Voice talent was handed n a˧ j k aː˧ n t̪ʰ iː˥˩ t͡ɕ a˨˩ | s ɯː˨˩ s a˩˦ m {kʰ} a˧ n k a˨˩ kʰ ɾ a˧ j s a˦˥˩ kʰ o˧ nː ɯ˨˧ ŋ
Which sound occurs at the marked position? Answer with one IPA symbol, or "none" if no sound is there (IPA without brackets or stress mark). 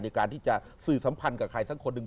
pʰ